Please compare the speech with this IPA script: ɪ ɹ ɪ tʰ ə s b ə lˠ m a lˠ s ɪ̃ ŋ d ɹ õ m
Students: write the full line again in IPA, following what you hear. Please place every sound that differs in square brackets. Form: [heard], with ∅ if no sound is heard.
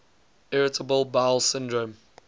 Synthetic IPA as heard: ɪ ɹ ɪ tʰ ə [∅] b ə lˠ [b] a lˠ s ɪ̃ [n] d ɹ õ m